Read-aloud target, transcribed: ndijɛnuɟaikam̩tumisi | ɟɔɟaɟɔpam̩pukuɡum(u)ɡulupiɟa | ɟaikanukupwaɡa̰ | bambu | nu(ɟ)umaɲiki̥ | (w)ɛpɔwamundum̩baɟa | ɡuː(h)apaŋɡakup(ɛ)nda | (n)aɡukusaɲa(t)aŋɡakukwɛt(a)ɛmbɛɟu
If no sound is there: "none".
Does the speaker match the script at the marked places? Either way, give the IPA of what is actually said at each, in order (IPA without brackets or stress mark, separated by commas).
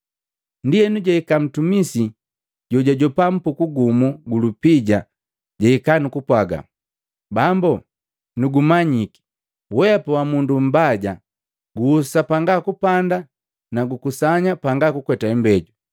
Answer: u, ɡ, w, s, a, n, p, a